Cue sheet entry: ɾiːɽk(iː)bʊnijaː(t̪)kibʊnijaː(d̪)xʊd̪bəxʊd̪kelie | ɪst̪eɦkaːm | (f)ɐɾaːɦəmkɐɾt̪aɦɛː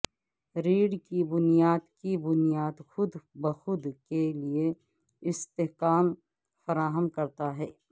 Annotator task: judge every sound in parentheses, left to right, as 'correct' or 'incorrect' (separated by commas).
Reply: incorrect, incorrect, correct, correct